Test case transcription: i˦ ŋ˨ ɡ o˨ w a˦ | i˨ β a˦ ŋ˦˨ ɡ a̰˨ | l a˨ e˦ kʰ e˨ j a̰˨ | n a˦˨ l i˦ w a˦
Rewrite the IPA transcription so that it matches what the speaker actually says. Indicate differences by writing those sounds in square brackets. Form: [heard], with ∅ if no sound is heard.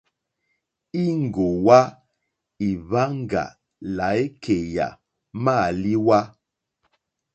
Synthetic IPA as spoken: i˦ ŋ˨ ɡ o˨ w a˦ | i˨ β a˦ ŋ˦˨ ɡ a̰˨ | l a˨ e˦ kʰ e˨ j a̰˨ | [m] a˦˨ l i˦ w a˦

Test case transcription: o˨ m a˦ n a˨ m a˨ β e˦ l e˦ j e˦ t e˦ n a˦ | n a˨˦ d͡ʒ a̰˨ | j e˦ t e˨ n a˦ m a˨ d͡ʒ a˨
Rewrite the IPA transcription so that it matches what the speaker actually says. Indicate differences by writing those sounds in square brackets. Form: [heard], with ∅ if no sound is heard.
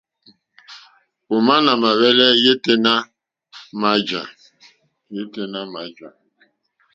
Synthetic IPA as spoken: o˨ m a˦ n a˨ m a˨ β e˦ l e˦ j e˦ t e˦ n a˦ | [m] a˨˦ d͡ʒ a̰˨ | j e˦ t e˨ n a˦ m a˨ d͡ʒ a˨

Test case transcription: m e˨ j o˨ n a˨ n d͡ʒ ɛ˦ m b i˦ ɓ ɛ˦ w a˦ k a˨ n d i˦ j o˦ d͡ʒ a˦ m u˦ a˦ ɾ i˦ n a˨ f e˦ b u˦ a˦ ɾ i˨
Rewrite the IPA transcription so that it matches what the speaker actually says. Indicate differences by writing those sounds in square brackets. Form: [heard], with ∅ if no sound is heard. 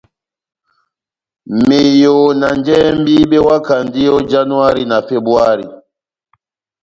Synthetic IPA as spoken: m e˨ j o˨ n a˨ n d͡ʒ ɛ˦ m b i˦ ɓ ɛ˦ w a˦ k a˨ n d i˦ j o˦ d͡ʒ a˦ [n] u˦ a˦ ɾ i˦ n a˨ f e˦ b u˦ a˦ ɾ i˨

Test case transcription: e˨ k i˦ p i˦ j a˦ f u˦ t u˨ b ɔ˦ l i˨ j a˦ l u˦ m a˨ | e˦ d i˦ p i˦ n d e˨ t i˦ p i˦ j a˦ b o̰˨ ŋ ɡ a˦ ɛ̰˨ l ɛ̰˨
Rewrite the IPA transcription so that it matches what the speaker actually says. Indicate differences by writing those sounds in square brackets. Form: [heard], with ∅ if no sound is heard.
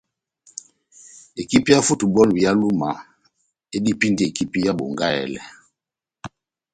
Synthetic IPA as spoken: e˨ k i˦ p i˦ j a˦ f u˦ t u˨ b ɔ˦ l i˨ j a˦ l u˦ m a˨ | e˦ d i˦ p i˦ n d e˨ [k] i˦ p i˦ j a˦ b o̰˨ ŋ ɡ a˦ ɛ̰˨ l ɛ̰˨

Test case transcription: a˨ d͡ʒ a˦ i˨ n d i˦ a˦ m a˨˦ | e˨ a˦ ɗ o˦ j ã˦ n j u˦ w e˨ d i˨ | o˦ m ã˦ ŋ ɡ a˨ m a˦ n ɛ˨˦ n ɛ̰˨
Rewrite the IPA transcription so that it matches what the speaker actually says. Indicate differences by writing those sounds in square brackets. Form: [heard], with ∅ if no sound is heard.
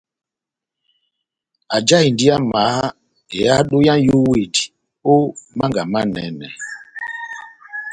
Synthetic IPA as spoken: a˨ d͡ʒ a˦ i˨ n d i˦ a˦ m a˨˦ | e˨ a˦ ɗ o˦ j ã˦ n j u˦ w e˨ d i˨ | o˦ m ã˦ ŋ ɡ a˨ m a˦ n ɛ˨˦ n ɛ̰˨

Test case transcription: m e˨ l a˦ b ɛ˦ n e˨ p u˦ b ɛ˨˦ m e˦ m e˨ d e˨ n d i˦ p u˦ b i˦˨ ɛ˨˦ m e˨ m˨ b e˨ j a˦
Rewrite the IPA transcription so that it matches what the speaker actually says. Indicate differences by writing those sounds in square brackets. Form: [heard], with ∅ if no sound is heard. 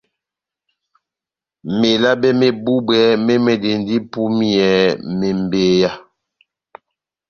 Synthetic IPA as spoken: m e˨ l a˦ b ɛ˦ [m] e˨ [b] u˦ b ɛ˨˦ m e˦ m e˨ d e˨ n d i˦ p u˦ [m] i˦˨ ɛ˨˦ m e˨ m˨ b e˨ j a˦

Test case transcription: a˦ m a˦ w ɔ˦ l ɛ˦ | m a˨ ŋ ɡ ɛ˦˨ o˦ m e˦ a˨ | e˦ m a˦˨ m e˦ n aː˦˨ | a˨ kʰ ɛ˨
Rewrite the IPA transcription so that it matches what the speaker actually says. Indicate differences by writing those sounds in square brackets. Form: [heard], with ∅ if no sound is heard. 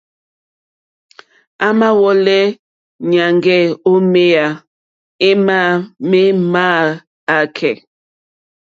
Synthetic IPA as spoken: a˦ m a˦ w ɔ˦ l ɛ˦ | [ɲ] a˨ ŋ ɡ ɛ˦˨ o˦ m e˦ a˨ | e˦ m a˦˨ m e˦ [m] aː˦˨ | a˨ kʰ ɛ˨

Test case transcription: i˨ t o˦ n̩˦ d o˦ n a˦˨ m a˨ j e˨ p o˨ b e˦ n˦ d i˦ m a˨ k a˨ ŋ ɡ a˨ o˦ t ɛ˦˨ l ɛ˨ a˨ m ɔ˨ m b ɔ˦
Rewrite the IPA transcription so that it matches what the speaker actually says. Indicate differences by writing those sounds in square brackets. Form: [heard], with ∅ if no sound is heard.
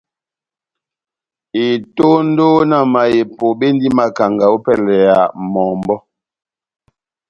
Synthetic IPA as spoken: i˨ t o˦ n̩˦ d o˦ n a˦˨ m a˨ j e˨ p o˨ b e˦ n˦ d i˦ m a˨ k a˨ ŋ ɡ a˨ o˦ [p] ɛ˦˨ l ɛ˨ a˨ m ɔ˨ m b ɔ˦

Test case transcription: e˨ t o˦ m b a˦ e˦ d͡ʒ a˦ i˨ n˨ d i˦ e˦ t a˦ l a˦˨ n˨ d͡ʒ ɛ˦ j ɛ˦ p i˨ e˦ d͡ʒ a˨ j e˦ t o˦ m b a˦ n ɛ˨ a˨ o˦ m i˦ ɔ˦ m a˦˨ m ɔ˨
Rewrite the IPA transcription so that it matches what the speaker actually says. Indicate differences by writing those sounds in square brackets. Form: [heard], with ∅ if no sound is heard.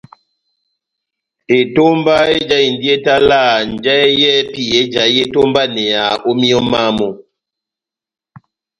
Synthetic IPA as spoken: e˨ t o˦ m b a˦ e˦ d͡ʒ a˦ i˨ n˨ d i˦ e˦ t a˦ l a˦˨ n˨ d͡ʒ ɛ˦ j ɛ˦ p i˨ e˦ d͡ʒ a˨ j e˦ t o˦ m b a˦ n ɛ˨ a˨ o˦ m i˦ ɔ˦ m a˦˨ m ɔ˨

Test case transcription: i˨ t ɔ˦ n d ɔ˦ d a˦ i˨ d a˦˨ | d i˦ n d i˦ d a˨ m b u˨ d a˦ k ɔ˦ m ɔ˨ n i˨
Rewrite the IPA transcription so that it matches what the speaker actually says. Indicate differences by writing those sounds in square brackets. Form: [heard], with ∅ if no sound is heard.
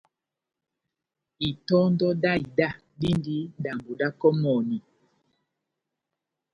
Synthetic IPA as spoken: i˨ t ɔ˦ n d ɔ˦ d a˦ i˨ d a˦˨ | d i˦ n d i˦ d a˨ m b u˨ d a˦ k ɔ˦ m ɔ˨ n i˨

